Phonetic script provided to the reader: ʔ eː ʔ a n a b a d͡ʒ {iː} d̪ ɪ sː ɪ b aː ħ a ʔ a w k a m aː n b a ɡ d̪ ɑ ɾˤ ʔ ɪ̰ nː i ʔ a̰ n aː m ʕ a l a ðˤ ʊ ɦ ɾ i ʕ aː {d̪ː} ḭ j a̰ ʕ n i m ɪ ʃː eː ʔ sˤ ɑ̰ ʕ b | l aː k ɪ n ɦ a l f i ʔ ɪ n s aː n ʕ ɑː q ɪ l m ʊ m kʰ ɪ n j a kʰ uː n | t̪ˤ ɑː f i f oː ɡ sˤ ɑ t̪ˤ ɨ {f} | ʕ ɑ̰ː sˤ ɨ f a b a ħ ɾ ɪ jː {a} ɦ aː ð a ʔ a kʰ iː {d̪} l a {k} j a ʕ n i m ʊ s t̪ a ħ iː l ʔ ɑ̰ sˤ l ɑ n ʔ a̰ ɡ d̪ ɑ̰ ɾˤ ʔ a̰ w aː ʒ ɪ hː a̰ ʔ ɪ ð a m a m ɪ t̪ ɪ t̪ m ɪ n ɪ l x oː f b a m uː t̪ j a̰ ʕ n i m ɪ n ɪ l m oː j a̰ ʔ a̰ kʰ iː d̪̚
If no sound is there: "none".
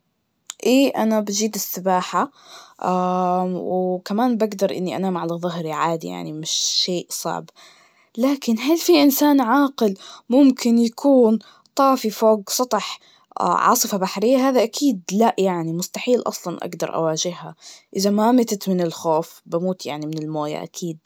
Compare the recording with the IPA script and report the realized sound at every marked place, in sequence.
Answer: iː, d̪, ħ, a, d̪, ʔ

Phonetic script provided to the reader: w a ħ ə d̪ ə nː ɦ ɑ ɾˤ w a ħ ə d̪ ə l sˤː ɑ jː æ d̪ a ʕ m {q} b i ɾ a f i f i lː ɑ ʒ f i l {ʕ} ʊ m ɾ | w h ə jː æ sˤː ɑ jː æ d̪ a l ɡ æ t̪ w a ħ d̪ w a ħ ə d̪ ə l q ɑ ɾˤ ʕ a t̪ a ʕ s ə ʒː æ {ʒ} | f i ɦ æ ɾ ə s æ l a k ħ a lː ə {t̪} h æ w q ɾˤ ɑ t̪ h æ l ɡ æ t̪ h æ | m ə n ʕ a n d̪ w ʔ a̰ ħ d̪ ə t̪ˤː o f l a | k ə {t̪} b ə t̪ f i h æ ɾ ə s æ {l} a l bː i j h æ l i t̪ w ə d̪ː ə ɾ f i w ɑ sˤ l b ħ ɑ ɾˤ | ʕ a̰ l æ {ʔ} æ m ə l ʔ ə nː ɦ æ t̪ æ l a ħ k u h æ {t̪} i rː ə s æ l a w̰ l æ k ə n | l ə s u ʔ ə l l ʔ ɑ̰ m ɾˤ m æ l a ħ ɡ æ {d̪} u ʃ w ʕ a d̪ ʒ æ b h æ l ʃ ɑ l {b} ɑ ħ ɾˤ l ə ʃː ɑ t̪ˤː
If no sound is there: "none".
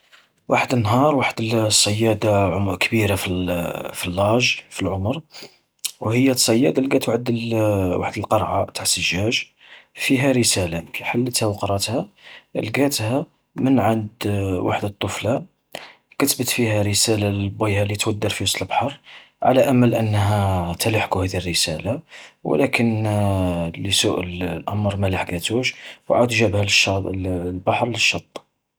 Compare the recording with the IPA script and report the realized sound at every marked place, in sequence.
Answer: k, ʕ, ʒ, t̪, t̪, l, ʔ, d̪, t̪, b

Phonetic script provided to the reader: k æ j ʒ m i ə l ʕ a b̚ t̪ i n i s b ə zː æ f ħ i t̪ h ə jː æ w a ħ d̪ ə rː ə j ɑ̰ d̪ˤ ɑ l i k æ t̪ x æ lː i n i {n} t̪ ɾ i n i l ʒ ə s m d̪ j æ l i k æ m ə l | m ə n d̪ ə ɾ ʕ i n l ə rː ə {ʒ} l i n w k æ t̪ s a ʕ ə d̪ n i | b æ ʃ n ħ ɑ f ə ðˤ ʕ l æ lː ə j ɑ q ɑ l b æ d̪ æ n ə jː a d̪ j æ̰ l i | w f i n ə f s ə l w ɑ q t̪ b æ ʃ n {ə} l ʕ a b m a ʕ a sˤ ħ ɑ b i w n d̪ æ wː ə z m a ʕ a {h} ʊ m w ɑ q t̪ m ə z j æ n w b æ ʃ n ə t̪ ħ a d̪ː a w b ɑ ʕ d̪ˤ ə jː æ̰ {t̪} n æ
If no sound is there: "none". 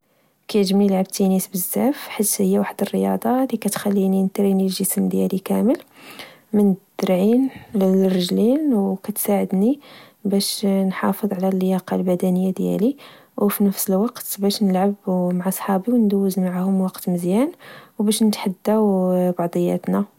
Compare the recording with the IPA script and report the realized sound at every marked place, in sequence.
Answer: n, ʒ, ə, h, t̪

